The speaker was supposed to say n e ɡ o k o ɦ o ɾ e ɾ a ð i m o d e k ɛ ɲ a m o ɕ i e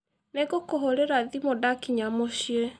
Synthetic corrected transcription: n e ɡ o k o ɦ o ɾ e ɾ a ð i m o d a k i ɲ a m o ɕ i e